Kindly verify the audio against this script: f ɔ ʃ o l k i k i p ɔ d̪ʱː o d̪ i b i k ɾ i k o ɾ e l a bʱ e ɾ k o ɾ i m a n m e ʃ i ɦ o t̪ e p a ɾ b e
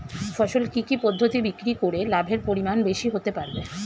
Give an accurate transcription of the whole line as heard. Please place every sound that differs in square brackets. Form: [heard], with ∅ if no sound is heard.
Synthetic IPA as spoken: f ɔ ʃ o l k i k i p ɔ d̪ʱː o [t̪] i b i k ɾ i k o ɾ e l a bʱ e ɾ [p] o ɾ i m a n [b] e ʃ i ɦ o t̪ e p a ɾ b e